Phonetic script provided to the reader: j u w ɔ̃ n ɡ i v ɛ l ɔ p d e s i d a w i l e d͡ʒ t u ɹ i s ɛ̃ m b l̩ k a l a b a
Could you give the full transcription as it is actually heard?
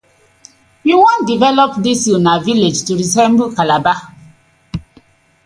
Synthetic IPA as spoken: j u w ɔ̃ n d i v ɛ l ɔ p d i s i n a v i l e d͡ʒ t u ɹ i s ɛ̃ m b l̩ k a l a b a

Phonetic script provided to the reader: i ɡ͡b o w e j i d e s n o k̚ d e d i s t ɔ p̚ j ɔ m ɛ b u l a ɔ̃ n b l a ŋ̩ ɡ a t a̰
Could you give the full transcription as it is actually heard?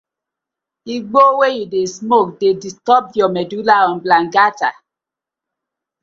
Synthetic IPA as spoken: i ɡ͡b o w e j i d e s m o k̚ d e d i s t ɔ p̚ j ɔ m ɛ d u l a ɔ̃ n b l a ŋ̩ ɡ a t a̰

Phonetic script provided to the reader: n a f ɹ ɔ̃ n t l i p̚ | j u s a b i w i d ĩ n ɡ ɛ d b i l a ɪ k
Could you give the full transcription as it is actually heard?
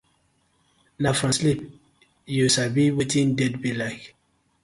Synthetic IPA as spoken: n a f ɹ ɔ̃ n s l i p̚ | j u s a b i w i t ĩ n d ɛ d b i l a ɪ k

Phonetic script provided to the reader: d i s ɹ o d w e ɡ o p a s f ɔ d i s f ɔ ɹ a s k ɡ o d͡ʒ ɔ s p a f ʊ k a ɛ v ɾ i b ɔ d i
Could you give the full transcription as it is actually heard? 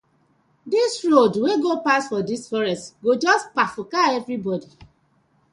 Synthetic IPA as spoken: d i s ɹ o d w e ɡ o p a s f ɔ d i s f ɔ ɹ ɛ s t ɡ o d͡ʒ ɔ s p a f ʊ k a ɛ v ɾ i b ɔ d i

